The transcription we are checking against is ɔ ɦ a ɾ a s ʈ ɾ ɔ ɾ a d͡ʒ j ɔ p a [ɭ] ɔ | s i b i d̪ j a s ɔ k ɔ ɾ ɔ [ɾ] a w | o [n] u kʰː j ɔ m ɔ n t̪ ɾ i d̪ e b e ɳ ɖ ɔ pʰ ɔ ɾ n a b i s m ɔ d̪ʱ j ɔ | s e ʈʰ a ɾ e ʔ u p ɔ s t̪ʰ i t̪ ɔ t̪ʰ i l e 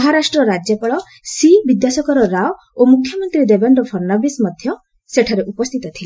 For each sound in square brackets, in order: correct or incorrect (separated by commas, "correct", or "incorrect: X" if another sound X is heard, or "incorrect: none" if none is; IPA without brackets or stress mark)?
correct, correct, incorrect: m